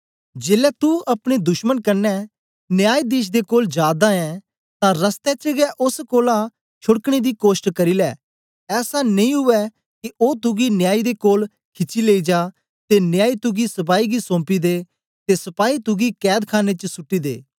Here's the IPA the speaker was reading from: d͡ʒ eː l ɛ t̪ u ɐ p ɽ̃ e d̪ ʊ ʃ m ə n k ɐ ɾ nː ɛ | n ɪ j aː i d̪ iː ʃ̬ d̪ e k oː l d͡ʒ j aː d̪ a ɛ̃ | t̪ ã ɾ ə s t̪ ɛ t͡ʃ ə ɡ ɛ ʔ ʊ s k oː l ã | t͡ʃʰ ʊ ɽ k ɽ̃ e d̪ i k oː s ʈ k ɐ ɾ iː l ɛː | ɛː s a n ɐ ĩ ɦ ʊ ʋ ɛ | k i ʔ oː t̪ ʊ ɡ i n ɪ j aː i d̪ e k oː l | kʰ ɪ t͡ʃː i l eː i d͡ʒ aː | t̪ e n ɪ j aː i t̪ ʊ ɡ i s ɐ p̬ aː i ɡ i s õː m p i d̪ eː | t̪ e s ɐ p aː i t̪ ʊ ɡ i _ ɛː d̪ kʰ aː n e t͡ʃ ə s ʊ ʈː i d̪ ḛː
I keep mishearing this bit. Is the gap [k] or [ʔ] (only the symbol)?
k